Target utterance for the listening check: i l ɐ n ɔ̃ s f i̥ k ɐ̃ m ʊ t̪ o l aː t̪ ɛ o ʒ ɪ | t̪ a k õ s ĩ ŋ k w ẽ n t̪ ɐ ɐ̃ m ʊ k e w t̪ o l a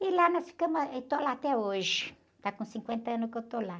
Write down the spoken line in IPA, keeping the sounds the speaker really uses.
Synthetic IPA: i l a n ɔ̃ s f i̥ k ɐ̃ m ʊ t̪ o l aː t̪ ɛ o ʒ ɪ | t̪ a k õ s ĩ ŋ k w ẽ n t̪ ɐ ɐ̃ n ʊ k e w t̪ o l a